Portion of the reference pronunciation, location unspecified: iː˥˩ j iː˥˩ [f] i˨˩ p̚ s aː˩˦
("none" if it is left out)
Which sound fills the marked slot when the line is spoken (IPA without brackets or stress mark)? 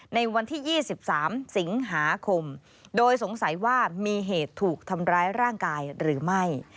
s